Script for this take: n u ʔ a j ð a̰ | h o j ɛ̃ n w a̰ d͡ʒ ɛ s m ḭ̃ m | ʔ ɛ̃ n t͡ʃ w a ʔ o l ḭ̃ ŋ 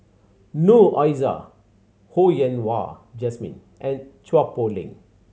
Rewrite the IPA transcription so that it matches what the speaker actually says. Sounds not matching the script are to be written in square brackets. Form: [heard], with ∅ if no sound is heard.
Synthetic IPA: n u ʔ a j [z] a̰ | h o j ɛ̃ n w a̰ d͡ʒ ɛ s m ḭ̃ [n] | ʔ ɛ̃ n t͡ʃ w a [p] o l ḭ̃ ŋ